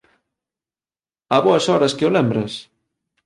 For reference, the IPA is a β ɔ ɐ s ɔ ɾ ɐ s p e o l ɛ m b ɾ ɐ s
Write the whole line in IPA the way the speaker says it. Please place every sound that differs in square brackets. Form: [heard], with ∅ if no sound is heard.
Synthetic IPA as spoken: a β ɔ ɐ s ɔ ɾ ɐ s [k] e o l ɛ m b ɾ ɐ s